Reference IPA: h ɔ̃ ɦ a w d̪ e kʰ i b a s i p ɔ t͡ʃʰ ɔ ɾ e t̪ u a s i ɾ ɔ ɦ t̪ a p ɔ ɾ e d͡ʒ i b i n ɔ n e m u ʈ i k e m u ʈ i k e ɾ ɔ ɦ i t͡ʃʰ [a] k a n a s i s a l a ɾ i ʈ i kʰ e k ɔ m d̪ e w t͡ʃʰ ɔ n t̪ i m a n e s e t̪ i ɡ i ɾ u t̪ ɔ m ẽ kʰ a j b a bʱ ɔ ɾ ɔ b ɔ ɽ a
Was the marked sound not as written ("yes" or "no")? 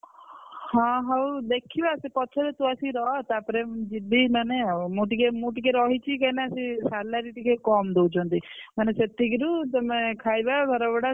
yes